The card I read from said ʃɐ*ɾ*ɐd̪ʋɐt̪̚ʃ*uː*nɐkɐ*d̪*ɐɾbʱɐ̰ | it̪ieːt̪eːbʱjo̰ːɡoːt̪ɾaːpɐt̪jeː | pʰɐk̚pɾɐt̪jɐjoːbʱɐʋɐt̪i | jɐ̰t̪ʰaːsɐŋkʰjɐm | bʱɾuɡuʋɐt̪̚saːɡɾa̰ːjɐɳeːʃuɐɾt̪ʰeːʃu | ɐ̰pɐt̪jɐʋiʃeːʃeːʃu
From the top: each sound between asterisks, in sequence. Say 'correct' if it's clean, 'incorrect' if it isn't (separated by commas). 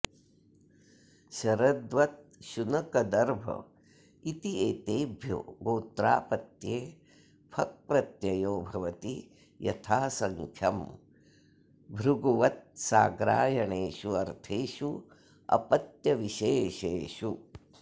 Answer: correct, incorrect, correct